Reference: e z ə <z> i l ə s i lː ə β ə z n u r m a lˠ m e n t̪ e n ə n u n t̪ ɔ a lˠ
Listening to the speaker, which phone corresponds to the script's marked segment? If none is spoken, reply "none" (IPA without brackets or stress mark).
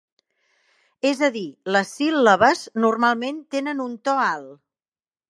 ð